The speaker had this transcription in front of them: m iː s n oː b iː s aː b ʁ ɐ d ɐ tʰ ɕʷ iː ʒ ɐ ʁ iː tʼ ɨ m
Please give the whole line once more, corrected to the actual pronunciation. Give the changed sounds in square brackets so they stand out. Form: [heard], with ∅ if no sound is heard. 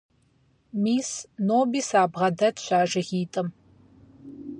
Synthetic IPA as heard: m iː s n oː b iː s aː b ʁ ɐ d ɐ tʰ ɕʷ [aː] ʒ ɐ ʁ iː tʼ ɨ m